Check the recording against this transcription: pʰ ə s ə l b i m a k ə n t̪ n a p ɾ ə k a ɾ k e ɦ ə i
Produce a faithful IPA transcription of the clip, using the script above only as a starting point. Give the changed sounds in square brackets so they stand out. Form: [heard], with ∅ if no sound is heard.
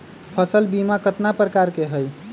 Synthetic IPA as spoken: pʰ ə s ə l b i m a k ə [∅] t̪ n a p ɾ ə k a ɾ k e ɦ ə [j]